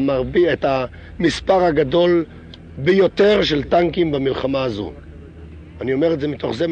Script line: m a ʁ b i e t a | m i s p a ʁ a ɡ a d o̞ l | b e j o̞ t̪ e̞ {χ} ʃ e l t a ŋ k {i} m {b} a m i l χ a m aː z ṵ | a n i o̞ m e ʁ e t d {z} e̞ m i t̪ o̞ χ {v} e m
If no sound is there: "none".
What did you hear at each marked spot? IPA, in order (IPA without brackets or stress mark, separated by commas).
ʁ, i, b, z, z